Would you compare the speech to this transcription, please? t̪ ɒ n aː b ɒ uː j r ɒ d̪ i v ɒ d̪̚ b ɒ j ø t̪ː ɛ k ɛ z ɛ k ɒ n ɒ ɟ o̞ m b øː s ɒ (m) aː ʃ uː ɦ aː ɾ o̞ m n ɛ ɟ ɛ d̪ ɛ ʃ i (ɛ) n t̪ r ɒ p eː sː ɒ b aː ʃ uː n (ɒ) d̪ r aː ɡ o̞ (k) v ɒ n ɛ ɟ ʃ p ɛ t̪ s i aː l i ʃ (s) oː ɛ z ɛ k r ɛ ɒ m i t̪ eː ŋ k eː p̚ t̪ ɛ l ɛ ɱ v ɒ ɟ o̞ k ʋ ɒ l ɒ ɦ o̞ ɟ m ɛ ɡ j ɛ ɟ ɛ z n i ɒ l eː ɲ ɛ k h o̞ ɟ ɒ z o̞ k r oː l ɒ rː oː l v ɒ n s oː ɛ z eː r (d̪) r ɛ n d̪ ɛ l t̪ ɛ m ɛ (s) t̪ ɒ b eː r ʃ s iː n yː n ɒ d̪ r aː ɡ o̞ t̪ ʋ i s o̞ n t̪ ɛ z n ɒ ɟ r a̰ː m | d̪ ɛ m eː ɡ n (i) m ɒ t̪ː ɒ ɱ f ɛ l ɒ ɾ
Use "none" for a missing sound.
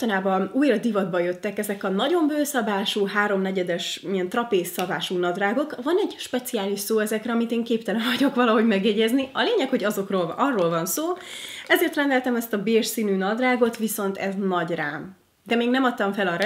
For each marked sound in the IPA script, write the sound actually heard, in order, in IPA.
b, ɛ, ɒ, k, s, t̪, s, ɛ

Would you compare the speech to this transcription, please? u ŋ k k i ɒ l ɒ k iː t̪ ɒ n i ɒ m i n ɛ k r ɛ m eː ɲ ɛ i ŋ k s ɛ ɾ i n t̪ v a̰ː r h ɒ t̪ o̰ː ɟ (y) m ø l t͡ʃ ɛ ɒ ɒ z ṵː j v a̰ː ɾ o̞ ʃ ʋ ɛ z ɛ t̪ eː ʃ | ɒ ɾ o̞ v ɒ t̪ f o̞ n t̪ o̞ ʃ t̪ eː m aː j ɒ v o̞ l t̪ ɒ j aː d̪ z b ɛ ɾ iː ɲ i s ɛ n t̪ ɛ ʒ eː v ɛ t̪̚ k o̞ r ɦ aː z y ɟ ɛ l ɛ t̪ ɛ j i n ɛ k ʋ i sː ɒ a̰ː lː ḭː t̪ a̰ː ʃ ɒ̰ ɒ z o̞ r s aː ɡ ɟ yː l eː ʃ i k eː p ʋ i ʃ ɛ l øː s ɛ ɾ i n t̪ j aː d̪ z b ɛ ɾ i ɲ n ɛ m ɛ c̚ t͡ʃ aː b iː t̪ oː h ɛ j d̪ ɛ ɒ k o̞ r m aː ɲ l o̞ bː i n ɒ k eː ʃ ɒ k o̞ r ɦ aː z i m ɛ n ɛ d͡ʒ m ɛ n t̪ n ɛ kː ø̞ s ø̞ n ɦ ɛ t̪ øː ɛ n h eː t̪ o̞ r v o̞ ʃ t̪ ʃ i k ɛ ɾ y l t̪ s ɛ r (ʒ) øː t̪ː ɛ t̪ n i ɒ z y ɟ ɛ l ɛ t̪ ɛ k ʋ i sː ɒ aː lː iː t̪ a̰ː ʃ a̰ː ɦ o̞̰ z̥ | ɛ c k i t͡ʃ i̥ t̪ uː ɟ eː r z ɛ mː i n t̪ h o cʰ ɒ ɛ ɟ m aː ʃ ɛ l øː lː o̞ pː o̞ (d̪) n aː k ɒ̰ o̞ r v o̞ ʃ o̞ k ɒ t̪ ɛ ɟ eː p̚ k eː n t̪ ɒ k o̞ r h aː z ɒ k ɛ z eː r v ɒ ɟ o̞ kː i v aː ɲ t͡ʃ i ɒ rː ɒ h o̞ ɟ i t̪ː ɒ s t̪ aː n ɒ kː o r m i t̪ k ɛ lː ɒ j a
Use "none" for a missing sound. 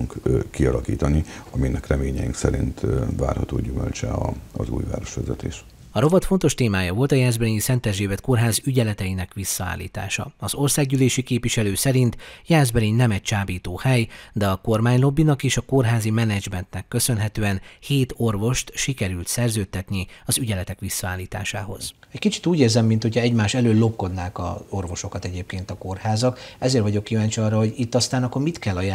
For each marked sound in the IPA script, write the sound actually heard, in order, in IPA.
y, z, d̪

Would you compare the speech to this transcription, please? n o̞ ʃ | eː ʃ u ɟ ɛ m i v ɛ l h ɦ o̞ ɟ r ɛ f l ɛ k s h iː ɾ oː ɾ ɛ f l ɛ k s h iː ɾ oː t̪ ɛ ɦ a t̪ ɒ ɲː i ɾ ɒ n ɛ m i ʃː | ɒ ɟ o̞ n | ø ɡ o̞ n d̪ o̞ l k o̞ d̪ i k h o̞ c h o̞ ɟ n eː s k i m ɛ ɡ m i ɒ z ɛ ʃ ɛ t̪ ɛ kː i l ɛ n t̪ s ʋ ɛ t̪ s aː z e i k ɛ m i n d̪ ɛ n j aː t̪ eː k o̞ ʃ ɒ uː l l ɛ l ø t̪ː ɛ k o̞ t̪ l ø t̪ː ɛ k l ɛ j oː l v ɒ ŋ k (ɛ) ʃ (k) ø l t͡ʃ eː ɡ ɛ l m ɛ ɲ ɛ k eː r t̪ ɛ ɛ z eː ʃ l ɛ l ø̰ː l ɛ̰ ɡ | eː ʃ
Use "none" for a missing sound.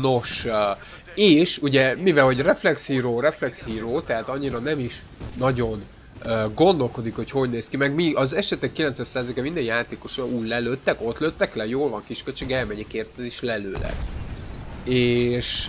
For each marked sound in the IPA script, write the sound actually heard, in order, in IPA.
i, k

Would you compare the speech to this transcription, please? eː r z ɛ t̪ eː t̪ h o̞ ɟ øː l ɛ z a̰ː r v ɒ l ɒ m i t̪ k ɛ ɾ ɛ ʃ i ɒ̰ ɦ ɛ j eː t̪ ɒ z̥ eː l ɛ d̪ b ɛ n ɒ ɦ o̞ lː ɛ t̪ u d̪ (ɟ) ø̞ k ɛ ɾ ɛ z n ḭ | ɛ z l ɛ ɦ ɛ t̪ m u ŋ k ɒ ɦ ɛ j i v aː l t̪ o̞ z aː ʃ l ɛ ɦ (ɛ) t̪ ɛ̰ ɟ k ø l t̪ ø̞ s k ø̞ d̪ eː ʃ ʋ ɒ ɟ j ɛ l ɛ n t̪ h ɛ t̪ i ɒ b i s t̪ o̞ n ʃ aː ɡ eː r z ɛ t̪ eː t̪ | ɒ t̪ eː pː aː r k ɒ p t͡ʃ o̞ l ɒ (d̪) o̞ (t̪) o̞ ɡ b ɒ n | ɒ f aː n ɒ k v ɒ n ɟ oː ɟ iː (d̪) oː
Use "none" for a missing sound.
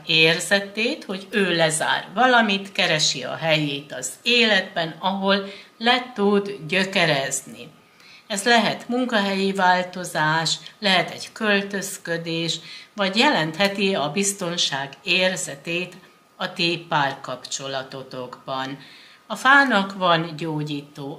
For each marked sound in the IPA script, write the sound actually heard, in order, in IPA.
ɟ, ɛ, t̪, t̪, t̪

